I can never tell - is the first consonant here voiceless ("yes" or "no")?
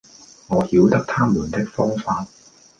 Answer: no